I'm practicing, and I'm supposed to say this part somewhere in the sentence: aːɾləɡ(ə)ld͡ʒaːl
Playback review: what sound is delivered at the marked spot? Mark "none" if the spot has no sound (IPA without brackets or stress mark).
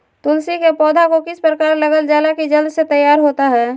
ə